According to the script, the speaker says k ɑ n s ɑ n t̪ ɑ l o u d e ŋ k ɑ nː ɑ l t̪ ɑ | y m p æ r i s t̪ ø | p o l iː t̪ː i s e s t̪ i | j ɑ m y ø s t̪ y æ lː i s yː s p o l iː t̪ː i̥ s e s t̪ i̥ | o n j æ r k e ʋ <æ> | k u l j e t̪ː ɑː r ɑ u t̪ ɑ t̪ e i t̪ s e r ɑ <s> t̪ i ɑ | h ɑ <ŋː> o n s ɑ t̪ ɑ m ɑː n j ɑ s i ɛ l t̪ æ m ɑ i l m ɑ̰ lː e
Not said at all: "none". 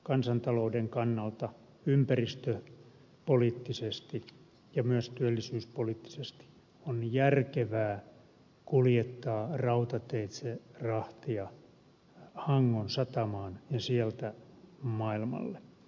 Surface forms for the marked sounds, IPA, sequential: æː, h, ŋː

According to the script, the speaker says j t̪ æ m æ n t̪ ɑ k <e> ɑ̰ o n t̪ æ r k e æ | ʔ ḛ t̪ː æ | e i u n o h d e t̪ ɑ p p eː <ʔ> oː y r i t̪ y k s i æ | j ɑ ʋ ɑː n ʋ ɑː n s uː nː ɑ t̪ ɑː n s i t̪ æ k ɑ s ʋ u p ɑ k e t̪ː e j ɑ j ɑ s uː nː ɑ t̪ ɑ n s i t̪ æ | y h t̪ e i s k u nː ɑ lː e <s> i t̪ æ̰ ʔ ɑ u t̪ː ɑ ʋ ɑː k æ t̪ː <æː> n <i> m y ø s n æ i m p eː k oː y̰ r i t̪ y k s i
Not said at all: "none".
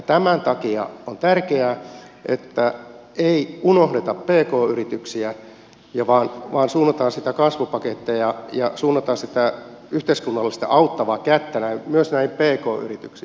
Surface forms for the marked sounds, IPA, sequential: i, k, s, æ, æ

